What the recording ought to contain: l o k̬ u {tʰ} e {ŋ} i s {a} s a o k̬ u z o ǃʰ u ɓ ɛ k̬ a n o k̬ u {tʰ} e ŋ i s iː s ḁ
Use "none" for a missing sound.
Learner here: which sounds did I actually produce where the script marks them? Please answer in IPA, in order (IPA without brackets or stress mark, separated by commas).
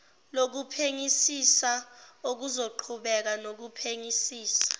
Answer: pʰ, ŋ, i, pʰ